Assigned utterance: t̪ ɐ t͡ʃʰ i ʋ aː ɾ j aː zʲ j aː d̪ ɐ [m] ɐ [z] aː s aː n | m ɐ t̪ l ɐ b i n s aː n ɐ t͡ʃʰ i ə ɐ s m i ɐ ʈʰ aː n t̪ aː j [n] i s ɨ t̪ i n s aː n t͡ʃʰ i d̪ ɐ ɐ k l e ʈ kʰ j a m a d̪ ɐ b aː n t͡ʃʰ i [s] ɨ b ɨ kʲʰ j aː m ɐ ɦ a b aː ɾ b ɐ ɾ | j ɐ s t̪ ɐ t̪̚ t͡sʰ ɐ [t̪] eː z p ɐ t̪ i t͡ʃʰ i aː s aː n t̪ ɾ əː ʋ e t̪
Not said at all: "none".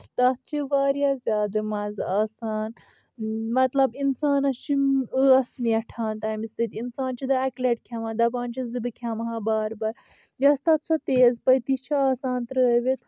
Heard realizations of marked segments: m, z, m, z, t̪

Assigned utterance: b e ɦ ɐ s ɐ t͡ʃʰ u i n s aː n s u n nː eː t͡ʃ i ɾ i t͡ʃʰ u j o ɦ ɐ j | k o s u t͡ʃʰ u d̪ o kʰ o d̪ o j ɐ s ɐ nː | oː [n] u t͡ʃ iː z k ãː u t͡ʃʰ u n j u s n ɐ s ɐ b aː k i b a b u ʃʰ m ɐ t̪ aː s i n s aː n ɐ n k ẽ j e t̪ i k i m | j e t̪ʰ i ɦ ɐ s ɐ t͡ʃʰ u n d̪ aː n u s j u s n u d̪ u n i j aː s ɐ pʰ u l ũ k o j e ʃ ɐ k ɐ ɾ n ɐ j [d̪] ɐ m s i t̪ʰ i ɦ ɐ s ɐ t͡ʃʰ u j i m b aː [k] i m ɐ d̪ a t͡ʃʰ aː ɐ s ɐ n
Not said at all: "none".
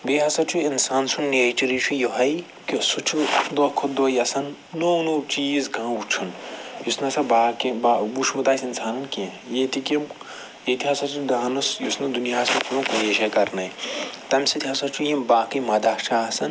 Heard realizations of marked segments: n, t̪, k

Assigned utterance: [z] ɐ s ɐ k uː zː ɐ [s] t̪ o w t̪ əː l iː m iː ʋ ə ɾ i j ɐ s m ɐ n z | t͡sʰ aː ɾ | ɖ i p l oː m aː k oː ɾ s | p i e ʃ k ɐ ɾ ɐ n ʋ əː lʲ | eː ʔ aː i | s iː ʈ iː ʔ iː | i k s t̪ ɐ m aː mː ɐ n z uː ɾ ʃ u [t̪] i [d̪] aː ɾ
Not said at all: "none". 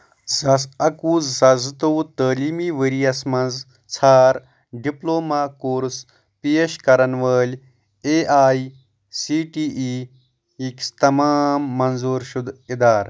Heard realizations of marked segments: z, z, d̪, d̪

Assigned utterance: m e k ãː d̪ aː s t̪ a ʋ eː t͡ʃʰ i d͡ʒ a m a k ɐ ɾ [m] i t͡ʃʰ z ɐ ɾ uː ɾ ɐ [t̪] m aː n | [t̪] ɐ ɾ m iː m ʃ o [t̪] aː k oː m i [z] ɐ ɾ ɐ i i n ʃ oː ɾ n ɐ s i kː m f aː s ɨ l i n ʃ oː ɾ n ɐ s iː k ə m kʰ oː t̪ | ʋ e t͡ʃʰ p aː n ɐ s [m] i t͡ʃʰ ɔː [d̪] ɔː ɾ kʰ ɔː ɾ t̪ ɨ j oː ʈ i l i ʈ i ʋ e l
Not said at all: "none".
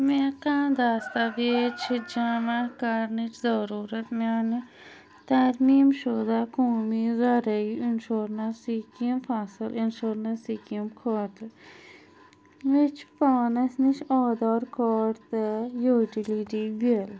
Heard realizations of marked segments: n, t̪, t̪, d̪, z, n, d̪

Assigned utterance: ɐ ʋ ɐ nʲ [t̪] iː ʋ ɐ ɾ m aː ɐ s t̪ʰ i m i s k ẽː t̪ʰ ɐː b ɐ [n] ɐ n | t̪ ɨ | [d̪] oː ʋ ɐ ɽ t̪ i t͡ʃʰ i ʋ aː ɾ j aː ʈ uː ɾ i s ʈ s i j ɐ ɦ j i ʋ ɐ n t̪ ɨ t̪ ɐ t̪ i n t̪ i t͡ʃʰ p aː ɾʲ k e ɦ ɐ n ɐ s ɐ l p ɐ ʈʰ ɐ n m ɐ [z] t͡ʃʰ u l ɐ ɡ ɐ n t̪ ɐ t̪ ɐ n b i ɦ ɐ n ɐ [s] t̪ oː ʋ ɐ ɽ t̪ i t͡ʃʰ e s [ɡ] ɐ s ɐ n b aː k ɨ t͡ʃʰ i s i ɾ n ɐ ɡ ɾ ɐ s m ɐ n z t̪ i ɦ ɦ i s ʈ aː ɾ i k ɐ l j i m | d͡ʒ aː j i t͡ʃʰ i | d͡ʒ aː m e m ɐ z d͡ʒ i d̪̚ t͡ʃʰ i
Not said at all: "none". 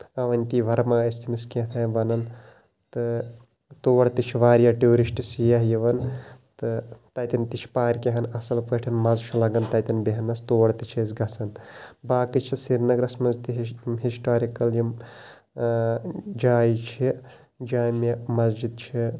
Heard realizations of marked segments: t̪, n, t̪, z, s, ɡ

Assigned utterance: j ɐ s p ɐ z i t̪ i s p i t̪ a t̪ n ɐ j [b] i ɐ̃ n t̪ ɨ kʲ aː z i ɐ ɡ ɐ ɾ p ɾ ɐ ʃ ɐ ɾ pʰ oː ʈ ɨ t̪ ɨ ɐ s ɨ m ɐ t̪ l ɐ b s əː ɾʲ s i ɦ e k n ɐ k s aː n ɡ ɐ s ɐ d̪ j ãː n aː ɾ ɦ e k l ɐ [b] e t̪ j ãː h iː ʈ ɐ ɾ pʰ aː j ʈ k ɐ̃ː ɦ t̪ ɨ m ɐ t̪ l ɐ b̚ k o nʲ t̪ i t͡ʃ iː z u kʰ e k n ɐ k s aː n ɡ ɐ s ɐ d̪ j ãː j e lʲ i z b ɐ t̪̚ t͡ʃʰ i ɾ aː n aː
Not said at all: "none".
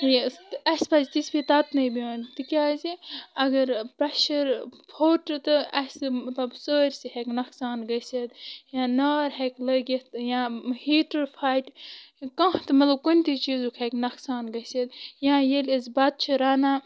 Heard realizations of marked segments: b, ɡ

